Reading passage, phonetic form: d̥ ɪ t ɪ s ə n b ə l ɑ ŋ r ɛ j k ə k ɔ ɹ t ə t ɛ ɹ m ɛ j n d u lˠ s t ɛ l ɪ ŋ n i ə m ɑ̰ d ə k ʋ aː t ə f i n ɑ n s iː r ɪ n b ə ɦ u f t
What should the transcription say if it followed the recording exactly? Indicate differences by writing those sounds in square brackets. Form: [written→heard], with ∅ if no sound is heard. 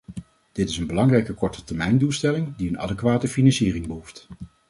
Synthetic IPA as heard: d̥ ɪ t ɪ s ə n b ə l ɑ ŋ r ɛ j k ə k ɔ ɹ t ə t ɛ ɹ m ɛ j n d u lˠ s t ɛ l ɪ ŋ [n→d] i ə [m→n] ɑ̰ d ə k ʋ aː t ə f i n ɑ n s iː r ɪ [n→ŋ] b ə ɦ u f t